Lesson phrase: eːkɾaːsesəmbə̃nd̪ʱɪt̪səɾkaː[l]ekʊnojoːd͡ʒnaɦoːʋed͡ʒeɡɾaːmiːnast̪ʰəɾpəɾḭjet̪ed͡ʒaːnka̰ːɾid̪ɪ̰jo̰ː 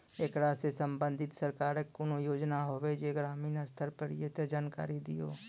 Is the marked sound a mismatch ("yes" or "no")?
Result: yes